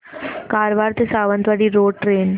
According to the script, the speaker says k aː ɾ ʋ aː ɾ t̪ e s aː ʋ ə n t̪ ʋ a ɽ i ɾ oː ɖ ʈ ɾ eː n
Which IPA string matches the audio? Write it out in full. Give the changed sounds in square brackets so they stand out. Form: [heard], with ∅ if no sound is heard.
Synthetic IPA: k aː ɾ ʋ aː ɾ t̪ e s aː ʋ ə n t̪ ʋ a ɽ i ɾ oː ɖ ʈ ɾ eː n